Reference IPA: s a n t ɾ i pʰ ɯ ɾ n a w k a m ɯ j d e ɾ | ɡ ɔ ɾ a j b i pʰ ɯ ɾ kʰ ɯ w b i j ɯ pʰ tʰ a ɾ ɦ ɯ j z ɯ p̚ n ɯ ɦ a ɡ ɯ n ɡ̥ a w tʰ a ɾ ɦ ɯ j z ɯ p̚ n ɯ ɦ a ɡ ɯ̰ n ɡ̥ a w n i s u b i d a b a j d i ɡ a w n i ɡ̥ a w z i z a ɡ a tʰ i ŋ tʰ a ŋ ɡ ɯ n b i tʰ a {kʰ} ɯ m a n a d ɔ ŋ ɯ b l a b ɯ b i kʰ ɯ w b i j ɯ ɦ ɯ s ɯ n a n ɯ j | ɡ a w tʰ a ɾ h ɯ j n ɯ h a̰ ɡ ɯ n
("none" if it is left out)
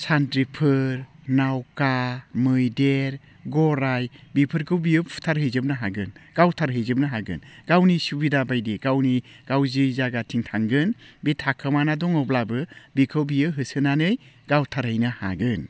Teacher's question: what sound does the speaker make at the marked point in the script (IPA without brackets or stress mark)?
kʰ